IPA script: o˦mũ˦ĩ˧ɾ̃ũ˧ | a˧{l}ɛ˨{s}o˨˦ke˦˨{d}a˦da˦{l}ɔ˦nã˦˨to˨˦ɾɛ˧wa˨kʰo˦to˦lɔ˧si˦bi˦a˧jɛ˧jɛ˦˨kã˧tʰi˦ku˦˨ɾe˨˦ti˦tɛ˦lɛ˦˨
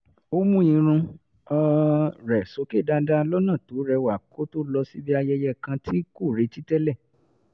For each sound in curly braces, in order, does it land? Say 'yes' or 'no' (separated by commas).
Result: no, yes, yes, yes